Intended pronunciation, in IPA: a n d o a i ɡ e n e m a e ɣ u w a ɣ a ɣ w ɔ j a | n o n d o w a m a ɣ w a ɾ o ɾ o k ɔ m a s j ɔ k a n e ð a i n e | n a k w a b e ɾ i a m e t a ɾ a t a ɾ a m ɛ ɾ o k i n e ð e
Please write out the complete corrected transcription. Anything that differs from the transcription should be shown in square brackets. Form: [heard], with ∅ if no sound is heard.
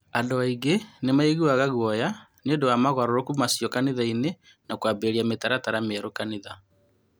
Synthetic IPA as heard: a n d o a i ɡ e n e m a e ɣ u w a ɣ a ɣ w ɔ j a | n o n d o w a m a ɣ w a ɾ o ɾ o k [u] m a s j ɔ k a n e ð a i n e | n a k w a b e ɾ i a m e t a ɾ a t a ɾ a m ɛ ɾ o k [a] n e ð [a]